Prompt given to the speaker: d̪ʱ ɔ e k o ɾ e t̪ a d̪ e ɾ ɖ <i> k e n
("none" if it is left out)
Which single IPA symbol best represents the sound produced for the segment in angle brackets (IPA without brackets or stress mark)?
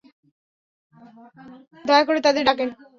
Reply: a